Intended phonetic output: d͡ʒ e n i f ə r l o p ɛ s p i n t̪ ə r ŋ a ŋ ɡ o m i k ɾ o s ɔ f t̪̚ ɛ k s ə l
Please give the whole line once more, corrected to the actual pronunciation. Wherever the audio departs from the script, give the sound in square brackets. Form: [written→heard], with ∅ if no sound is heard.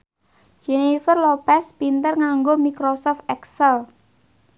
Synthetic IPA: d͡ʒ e n i f ə r l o p ɛ s p i n t̪ ə r ŋ a ŋ ɡ o m i k ɾ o s ɔ f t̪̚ ɛ k s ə l